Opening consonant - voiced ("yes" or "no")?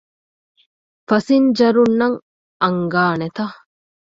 no